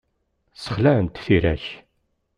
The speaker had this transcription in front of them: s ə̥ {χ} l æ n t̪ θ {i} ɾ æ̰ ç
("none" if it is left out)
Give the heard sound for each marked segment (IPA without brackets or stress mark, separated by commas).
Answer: χ, i